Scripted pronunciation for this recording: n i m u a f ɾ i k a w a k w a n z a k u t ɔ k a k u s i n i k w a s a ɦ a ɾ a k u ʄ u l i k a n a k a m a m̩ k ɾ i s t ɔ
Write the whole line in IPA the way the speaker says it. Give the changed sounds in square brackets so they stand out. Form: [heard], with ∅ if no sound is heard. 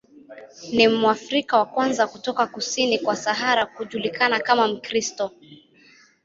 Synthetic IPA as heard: n i m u a f ɾ i k a w a k w a n z a k u t ɔ k a k u s i n i k w a s a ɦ a ɾ a k u ʄ u l i k a n a k a m a m̩ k ɾ i s t ɔ